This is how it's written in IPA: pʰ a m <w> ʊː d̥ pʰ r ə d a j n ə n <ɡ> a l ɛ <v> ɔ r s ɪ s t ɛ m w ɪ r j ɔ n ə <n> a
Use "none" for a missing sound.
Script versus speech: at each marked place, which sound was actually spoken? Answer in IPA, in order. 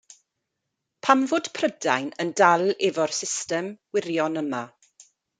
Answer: v, d, v, m

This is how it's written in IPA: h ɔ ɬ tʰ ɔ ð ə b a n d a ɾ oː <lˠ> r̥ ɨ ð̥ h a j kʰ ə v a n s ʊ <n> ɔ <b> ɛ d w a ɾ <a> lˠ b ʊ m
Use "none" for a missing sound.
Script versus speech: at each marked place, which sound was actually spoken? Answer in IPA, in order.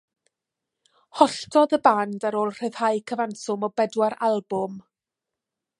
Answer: lˠ, m, b, a

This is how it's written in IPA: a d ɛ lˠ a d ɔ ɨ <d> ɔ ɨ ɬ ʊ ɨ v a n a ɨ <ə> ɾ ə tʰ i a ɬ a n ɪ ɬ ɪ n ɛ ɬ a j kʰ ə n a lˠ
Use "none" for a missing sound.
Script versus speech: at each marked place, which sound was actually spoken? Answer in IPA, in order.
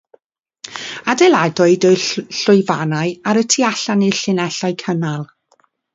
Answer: d, a

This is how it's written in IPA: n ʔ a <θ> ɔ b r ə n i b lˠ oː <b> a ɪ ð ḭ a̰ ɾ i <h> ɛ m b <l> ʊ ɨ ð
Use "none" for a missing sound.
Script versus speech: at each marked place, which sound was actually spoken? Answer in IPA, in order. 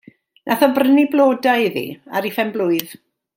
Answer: θ, d, f, l

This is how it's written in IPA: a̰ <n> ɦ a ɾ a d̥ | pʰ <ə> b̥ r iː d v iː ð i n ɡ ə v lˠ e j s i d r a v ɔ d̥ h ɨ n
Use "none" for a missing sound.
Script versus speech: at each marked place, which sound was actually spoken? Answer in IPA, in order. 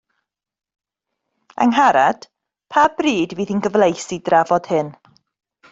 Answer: ŋ, a

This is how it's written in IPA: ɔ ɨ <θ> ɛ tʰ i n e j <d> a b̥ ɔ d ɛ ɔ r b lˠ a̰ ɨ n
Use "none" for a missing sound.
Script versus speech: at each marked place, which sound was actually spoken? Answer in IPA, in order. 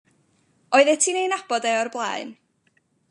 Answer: ð, n

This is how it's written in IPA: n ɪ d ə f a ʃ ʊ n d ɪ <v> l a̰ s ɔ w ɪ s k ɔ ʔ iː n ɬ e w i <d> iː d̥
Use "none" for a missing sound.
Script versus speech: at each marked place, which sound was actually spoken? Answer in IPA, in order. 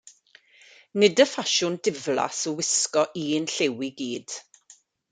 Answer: v, ɡ

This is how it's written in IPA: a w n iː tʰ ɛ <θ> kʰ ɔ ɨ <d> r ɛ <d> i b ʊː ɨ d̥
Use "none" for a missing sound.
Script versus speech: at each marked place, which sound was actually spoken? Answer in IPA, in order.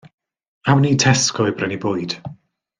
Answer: s, b, n

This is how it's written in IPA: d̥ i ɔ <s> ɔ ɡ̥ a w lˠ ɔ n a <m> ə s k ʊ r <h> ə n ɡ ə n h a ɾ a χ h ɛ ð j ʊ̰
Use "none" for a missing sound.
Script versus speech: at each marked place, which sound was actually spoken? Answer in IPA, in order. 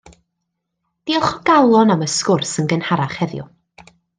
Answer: χ, m, s

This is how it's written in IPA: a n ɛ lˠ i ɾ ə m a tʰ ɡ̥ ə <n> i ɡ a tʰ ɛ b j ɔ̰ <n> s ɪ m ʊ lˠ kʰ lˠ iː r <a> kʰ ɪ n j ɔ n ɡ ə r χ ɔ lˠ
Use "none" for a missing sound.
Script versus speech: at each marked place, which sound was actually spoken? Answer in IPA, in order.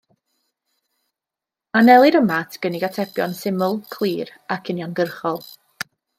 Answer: n, n, a

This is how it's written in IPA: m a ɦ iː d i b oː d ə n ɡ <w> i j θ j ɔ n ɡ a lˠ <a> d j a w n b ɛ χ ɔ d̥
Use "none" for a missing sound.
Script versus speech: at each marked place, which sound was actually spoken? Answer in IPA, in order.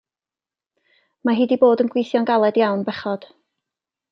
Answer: w, ɛ

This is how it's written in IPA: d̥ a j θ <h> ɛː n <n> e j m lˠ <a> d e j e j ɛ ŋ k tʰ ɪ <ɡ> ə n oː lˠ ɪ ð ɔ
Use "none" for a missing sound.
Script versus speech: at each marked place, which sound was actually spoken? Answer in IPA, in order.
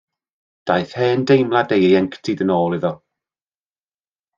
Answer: h, d, a, d

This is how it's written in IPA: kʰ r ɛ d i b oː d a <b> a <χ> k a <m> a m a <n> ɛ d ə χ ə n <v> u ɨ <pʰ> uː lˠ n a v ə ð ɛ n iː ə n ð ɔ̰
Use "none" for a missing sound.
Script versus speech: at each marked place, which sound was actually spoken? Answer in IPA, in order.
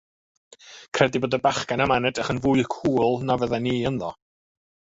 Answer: b, χ, n, n, v, kʰ

